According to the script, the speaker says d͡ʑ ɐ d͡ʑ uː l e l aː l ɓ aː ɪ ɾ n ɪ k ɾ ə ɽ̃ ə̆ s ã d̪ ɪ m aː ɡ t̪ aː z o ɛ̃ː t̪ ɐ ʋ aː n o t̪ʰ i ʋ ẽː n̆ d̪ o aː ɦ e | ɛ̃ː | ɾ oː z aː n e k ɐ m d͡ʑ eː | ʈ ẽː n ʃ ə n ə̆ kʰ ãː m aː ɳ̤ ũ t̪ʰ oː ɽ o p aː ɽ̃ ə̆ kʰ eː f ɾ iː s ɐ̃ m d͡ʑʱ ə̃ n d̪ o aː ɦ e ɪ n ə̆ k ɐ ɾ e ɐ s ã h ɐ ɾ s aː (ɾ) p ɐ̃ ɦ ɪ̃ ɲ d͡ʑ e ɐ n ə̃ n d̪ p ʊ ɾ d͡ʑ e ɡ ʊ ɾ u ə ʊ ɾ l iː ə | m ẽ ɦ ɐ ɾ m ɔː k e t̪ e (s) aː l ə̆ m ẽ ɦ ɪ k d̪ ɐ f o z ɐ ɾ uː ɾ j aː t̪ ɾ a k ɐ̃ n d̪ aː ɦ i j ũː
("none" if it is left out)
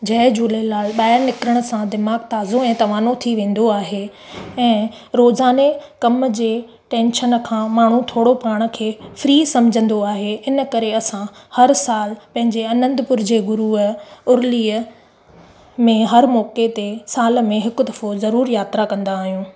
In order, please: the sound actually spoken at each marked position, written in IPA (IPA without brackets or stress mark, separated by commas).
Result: l, s